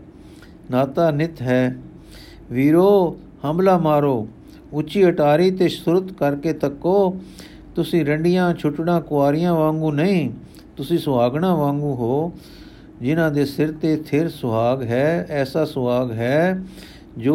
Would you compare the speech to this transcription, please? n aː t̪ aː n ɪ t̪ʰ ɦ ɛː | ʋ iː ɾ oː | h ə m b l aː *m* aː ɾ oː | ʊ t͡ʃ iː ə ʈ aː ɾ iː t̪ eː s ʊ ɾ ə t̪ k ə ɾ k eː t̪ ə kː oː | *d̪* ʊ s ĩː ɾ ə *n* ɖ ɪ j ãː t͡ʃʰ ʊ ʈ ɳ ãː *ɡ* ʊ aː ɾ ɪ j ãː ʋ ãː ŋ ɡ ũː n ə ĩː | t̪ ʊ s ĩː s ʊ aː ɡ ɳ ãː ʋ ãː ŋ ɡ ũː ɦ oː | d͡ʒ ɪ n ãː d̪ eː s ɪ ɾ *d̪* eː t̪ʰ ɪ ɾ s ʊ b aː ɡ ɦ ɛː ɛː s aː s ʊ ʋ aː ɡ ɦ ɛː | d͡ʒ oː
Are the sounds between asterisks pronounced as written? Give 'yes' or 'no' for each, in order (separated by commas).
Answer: yes, no, no, no, no